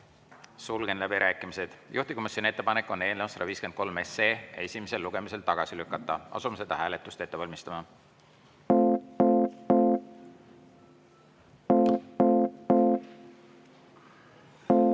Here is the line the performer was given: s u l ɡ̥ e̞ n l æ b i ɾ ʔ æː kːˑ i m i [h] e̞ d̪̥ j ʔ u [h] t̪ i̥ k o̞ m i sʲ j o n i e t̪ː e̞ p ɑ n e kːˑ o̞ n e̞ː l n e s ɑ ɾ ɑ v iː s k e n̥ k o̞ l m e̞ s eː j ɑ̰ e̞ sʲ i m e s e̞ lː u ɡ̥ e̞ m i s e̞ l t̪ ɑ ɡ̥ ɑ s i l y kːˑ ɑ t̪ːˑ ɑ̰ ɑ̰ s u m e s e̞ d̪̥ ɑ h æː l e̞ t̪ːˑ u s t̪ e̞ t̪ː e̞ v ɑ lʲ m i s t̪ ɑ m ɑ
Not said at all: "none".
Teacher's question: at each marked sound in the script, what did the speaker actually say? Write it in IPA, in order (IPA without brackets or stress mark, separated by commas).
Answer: s, h